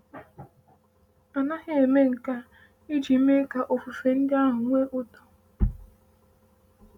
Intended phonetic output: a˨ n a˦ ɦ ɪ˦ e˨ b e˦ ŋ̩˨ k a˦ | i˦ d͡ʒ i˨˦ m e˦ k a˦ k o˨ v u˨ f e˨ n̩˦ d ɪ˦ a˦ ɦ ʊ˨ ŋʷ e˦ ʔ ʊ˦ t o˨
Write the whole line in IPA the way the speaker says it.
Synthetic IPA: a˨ n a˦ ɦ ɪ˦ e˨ m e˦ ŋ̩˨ k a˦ | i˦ d͡ʒ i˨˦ m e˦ k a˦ ʔ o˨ f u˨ f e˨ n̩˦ d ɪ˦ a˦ ɦ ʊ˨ ŋʷ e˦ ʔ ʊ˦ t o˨

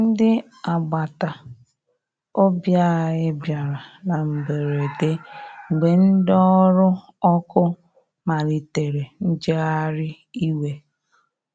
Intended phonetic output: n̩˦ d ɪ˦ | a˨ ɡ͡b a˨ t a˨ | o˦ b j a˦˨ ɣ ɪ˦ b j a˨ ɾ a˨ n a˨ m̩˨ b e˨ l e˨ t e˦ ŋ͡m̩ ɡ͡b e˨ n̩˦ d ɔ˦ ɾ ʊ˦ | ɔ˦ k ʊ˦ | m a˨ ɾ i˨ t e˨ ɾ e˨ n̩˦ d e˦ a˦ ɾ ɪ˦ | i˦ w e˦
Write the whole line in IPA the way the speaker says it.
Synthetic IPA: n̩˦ d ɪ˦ | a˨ ɡ͡b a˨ t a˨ | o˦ b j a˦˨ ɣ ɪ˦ b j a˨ ɾ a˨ n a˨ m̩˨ b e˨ ɾ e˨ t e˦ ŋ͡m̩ ɡ͡b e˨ n̩˦ d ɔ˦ ɾ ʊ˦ | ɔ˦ k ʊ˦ | m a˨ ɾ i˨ t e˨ ɾ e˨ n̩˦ d͡ʒ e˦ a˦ ɾ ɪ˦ | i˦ w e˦

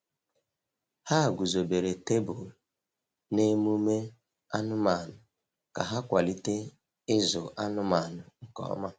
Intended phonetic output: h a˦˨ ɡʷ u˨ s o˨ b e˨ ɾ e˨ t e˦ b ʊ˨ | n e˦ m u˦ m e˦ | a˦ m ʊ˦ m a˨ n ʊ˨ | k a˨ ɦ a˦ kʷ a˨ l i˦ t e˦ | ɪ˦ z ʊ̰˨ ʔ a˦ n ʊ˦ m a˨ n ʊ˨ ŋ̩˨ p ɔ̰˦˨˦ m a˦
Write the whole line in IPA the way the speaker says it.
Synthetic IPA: h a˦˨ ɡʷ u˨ z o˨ b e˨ ɾ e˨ t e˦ b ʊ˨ | n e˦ m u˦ m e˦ | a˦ n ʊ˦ m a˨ n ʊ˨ | k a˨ ɦ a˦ kʷ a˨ l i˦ t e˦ | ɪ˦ z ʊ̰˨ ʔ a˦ n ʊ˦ m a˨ n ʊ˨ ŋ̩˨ k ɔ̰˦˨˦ m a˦

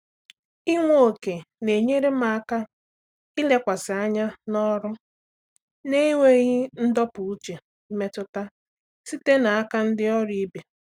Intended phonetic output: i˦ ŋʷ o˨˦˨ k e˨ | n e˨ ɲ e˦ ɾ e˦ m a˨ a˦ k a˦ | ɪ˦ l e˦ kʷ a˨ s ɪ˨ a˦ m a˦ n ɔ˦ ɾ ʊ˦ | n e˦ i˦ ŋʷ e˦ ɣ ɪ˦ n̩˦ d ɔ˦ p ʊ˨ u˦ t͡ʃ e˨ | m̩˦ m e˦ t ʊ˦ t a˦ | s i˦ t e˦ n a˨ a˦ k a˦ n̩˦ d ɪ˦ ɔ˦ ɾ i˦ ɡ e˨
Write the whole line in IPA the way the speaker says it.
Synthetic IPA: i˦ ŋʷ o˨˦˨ k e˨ | n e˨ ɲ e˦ ɾ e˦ m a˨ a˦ k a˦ | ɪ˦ l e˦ kʷ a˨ s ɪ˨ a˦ ɲ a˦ n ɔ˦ ɾ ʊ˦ | n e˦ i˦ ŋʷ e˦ ɣ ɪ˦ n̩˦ d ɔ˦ p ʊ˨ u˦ t͡ʃ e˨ | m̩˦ m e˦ t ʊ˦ t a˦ | s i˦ t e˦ n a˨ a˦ k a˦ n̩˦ d ɪ˦ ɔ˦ ɾ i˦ b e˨

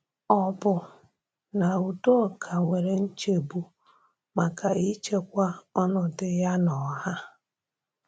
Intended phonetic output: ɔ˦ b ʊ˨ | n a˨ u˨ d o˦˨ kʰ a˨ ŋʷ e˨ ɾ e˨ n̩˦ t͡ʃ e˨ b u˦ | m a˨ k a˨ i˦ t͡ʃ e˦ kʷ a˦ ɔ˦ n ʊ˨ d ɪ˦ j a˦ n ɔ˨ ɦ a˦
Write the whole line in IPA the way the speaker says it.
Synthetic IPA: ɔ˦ b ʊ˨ | n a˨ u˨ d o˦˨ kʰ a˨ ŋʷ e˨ ɾ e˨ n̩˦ t͡ʃ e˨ b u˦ | m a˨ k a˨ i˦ t͡ʃ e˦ kʷ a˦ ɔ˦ n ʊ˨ d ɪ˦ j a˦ n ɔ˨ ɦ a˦

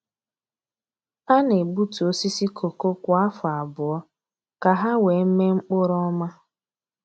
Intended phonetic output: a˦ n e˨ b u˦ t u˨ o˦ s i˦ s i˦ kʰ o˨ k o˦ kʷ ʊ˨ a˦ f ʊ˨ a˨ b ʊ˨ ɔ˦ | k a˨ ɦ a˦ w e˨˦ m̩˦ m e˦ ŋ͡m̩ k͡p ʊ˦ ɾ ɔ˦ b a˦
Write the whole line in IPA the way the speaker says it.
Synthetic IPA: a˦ n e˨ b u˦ t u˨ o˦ s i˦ s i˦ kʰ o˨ k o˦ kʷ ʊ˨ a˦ f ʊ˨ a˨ b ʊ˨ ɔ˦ | k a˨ ɦ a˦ w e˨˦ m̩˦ m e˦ ŋ͡m̩ k͡p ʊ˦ ɾ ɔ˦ m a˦

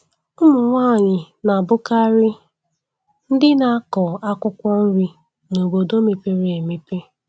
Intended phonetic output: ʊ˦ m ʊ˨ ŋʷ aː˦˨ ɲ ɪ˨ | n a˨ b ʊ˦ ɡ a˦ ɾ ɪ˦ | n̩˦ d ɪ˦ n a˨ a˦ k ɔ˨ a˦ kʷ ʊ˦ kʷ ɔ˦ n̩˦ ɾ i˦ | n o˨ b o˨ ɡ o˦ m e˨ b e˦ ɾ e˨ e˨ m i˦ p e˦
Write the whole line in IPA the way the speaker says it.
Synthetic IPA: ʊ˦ m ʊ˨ ŋʷ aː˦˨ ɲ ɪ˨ | n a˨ b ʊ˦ k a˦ ɾ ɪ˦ | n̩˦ d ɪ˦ n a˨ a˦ k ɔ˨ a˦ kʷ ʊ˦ kʷ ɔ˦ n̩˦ ɾ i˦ | n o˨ b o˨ d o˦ m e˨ p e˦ ɾ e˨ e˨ m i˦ p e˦

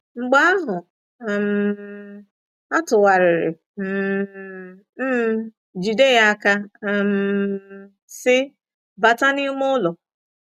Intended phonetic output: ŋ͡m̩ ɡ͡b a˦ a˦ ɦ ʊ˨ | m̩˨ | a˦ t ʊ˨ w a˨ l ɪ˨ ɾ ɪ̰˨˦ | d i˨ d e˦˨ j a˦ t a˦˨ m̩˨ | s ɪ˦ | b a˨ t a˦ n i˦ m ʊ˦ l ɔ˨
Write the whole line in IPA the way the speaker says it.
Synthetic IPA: ŋ͡m̩ ɡ͡b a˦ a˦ ɦ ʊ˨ | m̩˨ | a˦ t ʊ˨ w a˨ ɾ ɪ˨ ɾ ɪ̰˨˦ | d͡ʒ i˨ d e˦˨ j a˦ k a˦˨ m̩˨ | s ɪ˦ | b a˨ t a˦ n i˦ m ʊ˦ l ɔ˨

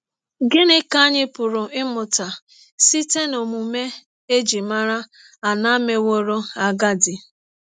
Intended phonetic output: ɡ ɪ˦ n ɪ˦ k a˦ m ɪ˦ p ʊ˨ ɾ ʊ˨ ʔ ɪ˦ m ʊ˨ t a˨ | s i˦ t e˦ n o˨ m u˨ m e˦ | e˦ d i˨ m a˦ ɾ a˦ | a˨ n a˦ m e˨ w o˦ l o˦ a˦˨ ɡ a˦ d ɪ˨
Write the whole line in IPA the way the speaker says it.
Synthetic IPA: ɡ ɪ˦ n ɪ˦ k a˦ ɲ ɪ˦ p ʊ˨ ɾ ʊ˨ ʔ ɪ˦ m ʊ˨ t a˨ | s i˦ t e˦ n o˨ m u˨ m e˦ | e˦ d͡ʒ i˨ m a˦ ɾ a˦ | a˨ n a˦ m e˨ w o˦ ɾ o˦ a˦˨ ɡ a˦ d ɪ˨

